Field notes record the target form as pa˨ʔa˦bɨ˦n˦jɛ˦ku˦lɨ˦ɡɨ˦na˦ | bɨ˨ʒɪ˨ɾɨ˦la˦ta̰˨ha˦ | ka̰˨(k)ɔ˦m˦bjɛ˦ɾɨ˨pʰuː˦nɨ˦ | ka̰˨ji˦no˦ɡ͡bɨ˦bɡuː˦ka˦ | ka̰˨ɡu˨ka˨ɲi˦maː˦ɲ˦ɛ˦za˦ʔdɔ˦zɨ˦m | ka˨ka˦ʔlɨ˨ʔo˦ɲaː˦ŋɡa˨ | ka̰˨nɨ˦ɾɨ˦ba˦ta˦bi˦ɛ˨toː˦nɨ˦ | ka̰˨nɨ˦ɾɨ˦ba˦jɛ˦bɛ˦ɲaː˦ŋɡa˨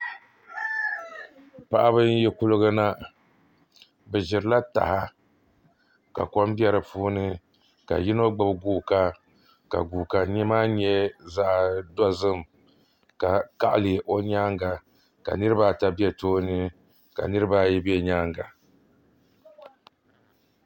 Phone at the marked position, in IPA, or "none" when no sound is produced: k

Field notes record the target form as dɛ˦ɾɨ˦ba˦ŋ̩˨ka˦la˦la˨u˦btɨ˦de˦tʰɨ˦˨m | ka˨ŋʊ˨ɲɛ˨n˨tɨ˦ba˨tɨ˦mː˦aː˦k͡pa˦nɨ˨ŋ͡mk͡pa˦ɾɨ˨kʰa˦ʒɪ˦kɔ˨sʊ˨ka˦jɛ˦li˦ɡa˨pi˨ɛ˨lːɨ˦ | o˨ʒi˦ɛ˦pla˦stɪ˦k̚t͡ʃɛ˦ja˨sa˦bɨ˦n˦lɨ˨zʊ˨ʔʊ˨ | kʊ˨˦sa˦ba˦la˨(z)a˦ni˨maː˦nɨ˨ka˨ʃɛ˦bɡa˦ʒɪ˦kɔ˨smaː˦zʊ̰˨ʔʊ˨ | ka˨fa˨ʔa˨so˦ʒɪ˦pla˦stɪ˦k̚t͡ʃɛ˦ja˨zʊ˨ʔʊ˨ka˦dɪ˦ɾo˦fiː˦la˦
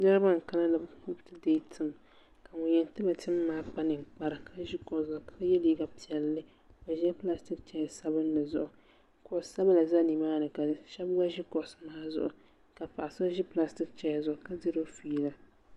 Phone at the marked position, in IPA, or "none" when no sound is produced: z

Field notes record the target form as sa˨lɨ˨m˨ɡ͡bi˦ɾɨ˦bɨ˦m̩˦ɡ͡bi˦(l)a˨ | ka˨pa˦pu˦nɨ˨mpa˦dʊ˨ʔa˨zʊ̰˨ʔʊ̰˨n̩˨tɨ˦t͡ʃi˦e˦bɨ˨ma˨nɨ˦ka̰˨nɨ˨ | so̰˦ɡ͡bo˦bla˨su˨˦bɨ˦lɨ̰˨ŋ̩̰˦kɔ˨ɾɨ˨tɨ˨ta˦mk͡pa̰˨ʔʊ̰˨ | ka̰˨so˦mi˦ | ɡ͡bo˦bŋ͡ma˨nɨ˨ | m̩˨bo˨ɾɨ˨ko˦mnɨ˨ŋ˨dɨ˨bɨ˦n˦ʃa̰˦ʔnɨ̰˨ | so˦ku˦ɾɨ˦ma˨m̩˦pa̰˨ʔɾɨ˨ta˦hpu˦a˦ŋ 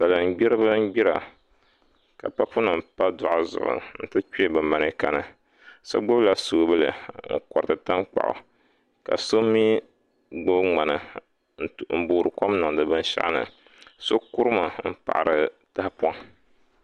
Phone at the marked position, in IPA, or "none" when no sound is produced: ɾ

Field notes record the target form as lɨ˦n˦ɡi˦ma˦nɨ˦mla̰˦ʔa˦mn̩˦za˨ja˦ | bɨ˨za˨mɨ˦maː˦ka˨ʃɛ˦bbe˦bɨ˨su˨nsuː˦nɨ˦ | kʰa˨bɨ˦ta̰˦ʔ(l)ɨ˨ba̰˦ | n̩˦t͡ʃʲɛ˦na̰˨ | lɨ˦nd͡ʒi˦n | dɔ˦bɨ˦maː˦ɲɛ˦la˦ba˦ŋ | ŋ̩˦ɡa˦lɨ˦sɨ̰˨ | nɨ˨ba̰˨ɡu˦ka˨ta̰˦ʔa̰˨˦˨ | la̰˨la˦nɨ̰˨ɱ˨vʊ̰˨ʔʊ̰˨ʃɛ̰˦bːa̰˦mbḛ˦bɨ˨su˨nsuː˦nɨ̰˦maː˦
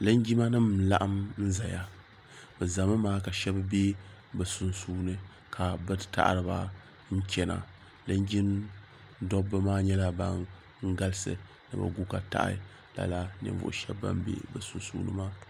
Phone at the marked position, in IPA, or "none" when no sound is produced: ɾ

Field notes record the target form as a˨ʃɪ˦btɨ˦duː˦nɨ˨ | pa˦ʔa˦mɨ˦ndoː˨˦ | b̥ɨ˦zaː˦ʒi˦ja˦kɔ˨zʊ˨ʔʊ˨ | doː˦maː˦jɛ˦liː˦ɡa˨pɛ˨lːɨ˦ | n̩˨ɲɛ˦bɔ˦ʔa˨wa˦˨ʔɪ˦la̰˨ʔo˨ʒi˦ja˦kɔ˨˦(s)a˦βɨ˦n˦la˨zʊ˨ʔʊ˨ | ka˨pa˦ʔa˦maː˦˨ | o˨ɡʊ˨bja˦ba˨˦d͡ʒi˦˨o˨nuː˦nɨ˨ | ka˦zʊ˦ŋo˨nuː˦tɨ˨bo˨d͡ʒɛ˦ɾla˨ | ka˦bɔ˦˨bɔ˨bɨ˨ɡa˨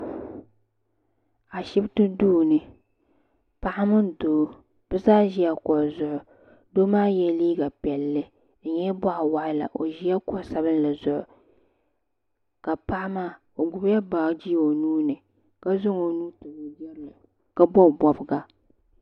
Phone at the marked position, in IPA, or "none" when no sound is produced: s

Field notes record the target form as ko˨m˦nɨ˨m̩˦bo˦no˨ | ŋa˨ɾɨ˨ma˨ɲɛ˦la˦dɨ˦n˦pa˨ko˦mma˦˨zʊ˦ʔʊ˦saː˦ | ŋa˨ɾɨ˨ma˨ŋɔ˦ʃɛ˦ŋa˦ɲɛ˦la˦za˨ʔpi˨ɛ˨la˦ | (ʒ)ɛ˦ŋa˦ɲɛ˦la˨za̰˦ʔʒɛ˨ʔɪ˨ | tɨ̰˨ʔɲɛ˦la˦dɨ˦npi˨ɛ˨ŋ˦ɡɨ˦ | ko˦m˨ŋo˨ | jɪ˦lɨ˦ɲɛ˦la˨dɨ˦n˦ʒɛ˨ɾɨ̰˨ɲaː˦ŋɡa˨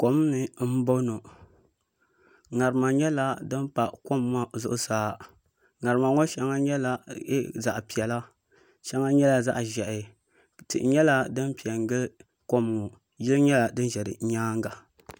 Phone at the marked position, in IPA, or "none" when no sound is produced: ʃ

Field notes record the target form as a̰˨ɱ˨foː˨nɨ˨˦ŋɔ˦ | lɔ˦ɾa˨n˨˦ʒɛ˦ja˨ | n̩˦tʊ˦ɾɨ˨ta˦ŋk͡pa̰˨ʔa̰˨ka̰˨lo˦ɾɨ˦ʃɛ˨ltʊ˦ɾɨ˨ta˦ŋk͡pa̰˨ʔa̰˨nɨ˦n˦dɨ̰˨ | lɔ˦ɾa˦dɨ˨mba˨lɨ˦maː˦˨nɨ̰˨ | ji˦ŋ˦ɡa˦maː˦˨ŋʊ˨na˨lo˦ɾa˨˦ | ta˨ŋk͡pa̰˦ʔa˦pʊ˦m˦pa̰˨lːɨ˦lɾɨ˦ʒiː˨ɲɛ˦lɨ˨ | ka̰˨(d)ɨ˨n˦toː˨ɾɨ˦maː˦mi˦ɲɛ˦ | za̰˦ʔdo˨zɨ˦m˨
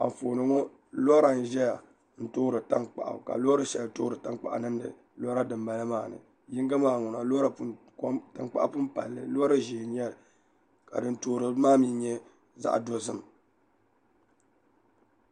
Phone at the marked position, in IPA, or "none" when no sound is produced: d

